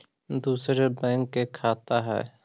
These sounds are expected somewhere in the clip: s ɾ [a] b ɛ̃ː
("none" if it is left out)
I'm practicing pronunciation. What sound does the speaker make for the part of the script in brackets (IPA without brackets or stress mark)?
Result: e